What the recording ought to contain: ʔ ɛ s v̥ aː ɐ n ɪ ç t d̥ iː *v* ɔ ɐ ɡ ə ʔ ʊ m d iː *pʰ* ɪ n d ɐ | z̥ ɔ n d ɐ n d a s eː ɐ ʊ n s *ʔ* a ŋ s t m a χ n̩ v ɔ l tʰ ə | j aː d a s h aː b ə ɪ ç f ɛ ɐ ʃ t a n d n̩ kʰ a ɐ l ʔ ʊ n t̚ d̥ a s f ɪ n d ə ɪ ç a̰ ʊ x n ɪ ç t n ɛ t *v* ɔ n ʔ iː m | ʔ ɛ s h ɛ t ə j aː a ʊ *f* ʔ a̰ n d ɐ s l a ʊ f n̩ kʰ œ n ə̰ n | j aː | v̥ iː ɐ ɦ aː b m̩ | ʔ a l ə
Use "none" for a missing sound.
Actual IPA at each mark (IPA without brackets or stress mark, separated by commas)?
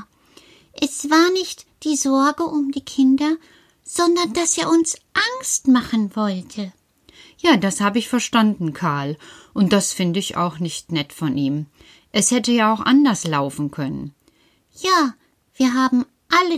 z, kʰ, ʔ, f, x